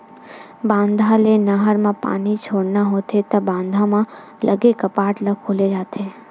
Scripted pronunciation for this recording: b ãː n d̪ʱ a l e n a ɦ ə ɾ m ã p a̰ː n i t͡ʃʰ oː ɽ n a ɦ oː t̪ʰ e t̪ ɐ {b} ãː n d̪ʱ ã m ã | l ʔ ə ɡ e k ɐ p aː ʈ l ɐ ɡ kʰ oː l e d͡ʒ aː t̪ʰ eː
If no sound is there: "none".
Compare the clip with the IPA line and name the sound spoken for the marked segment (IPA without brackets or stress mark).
b